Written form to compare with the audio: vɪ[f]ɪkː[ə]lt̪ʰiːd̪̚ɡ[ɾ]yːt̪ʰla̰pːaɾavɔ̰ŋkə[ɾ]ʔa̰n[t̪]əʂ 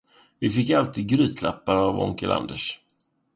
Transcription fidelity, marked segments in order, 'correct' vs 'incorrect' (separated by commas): correct, incorrect, correct, incorrect, incorrect